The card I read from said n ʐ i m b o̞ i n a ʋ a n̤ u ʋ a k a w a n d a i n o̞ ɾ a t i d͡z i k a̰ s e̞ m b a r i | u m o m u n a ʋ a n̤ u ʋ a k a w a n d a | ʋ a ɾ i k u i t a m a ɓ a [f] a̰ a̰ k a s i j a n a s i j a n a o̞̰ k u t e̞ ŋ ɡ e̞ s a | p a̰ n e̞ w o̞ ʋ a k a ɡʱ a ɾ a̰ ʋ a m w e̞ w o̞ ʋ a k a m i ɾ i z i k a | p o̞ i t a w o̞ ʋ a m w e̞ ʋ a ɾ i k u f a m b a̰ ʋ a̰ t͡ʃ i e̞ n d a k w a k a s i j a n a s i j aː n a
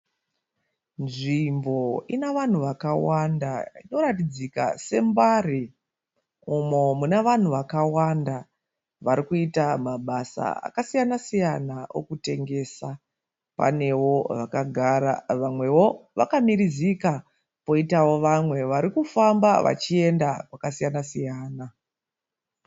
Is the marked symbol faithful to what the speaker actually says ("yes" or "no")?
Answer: no